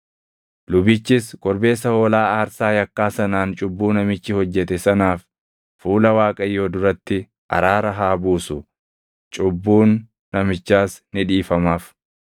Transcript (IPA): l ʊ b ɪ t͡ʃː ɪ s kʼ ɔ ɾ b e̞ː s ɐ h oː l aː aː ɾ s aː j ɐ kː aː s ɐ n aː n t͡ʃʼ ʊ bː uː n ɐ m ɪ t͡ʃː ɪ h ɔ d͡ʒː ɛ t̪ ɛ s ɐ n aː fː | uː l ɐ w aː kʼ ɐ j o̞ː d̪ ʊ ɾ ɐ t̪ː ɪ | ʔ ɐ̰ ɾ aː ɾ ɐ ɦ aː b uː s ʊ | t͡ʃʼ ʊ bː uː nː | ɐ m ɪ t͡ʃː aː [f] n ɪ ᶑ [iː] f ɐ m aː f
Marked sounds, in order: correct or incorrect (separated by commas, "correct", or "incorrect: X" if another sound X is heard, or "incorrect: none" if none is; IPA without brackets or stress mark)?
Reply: incorrect: s, correct